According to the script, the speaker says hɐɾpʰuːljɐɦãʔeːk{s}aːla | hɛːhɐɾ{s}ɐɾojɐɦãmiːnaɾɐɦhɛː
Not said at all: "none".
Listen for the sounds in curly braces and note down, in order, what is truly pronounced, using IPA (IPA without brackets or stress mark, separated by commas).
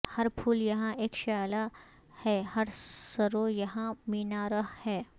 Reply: ʃ, s